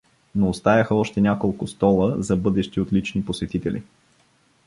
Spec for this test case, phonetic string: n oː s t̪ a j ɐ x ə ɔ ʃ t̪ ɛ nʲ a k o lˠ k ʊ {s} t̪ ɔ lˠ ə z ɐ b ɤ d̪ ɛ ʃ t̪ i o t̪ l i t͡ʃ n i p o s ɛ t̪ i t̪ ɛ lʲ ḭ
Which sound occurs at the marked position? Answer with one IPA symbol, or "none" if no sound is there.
s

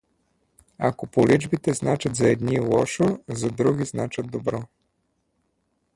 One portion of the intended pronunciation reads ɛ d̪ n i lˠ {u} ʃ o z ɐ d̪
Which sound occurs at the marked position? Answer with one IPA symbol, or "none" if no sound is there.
ɔ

